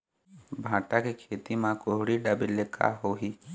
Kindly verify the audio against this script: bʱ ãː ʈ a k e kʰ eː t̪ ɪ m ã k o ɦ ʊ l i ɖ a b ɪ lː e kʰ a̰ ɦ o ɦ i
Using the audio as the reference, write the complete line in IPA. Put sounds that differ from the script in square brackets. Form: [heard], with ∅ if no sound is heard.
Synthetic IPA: bʱ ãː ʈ a k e kʰ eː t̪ [i] m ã k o ɦ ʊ [ɽ] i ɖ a b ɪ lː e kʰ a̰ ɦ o ɦ i